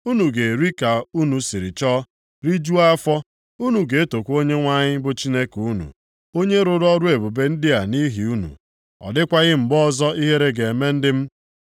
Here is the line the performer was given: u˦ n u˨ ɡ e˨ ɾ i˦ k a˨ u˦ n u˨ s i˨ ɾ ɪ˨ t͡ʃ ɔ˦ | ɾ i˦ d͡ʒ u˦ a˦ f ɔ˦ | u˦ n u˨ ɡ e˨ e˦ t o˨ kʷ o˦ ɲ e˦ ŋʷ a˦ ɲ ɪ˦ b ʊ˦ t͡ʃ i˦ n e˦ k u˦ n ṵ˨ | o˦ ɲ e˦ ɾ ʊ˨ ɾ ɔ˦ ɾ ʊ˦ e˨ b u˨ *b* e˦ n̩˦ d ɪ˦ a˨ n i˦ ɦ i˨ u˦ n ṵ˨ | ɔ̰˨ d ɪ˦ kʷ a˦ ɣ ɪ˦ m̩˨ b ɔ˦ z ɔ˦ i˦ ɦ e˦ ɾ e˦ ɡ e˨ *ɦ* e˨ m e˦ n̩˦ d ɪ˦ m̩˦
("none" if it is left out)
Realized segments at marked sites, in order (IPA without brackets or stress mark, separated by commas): b, none